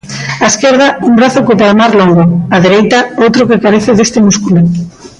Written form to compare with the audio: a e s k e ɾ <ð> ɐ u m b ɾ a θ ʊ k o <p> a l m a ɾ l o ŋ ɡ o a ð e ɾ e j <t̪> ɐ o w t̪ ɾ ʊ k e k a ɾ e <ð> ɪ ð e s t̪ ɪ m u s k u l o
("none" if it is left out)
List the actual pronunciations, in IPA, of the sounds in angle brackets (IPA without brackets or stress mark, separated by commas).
ð, p, t̪, θ